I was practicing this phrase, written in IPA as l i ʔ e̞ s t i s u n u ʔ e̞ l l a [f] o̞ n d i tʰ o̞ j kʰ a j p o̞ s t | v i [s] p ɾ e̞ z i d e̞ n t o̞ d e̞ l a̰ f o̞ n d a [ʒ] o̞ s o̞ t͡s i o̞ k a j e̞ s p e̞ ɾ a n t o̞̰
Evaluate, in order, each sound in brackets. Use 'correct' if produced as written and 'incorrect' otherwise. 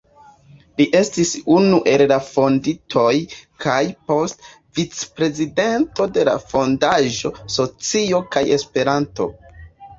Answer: correct, incorrect: t͡s, correct

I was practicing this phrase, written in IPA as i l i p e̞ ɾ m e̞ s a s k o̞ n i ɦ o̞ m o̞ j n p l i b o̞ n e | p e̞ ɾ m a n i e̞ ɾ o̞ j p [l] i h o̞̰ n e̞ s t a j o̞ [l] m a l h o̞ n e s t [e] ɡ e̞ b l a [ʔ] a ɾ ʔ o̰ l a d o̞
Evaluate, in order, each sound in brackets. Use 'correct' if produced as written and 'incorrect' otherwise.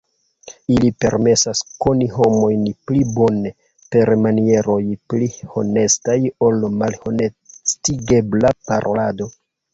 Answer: correct, correct, incorrect: i, incorrect: p

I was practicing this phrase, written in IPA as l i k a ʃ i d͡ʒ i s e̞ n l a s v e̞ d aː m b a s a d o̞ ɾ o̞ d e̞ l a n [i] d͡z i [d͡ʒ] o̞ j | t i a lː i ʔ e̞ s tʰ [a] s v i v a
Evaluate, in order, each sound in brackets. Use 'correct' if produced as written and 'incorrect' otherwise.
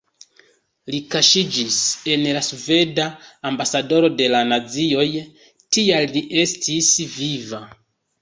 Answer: incorrect: a, incorrect: none, incorrect: i

